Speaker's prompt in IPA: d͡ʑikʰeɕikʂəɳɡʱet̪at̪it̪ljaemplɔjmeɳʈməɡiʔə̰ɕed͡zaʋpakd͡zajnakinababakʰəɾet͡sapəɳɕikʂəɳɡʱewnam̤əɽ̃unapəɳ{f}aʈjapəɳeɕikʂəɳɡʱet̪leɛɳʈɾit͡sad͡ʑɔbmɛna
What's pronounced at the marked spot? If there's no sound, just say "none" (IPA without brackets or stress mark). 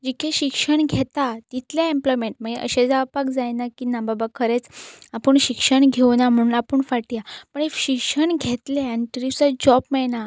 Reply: f